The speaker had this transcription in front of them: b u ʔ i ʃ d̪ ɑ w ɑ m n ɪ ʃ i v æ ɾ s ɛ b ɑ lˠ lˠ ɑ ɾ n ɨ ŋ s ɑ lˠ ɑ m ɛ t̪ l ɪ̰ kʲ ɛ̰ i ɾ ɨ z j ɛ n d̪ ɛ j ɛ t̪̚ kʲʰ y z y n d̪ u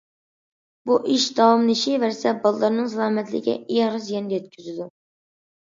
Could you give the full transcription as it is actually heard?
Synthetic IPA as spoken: b u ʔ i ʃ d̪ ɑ w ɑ m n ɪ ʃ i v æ ɾ s ɛ b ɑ lˠ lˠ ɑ ɾ n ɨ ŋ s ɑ lˠ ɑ m ɛ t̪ l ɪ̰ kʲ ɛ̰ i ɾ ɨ z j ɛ n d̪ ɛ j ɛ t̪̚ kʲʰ y z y d̪ u